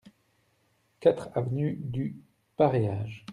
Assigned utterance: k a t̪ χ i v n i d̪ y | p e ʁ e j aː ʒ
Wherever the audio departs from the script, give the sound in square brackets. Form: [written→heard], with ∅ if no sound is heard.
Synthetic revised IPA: k a t̪ χ [i→a] v n [i→y] d̪ y | p [e→a] ʁ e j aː ʒ